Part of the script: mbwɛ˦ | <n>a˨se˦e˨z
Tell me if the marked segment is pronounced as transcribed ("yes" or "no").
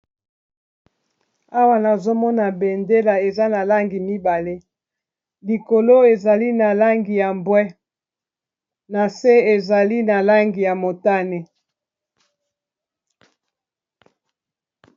yes